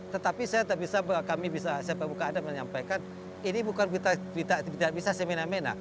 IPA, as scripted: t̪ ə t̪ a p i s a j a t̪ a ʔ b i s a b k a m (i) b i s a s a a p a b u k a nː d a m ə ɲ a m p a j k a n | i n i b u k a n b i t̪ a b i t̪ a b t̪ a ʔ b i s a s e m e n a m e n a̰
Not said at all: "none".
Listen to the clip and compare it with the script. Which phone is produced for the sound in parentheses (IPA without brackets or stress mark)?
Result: i